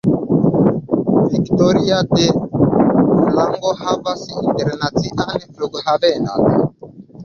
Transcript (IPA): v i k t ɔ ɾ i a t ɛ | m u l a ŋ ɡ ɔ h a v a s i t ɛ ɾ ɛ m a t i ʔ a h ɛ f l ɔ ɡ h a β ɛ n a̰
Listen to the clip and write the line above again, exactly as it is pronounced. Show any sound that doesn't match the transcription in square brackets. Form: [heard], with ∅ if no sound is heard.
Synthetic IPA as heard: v i k t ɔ ɾ i a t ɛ | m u l a ŋ ɡ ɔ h a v a s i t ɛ ɾ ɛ [n] a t i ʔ a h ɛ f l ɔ ɡ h a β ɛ n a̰